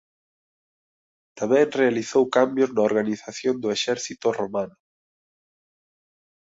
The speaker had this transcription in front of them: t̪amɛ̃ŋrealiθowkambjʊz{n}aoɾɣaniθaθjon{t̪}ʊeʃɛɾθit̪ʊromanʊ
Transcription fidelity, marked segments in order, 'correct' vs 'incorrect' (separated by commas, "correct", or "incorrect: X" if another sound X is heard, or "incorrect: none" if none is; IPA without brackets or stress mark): correct, incorrect: d̪